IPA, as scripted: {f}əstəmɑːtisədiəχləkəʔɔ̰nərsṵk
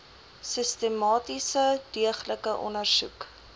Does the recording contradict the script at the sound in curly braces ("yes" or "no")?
yes